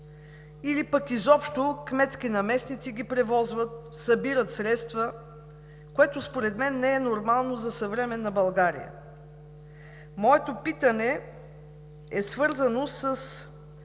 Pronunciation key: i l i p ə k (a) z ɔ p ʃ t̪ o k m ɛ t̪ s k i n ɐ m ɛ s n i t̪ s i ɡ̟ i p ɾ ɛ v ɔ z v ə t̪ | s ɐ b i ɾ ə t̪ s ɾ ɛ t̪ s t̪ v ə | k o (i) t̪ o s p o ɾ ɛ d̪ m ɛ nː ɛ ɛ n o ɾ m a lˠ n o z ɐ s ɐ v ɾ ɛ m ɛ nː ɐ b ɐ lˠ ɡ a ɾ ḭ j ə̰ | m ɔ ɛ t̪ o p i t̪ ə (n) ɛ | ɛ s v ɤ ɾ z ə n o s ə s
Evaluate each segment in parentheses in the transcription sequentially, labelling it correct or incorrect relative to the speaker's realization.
incorrect: i, incorrect: ɛ, correct

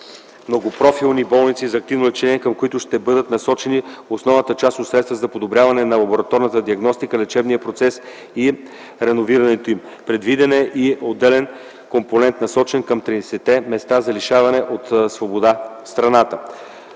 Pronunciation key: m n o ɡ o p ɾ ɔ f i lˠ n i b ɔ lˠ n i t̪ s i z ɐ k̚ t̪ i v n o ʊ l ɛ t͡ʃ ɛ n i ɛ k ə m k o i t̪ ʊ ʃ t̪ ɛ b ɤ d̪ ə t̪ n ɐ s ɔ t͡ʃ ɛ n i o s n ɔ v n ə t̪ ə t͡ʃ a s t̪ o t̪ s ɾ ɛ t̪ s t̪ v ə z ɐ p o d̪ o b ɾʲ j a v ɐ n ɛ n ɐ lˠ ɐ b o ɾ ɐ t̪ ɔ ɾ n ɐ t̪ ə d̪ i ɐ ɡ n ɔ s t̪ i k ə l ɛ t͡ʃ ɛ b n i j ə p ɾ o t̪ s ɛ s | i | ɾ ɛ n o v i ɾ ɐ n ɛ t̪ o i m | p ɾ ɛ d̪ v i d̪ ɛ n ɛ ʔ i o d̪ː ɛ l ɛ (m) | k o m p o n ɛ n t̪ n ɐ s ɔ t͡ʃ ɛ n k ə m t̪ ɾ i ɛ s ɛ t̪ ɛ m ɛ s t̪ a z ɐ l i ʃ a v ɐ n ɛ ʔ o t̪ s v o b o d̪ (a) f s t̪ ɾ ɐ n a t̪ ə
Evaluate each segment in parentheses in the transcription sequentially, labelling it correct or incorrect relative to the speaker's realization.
incorrect: n, correct

